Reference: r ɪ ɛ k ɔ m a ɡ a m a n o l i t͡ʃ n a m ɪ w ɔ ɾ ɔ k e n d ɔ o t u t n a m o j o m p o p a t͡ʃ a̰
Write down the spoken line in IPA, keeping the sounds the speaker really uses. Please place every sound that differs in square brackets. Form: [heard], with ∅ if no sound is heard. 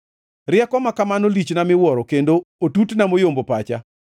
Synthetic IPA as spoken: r ɪ ɛ k ɔ m a [k] a m a n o l i t͡ʃ n a m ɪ w ɔ ɾ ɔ k e n d [o] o t u t n a m o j o m [b] o p a t͡ʃ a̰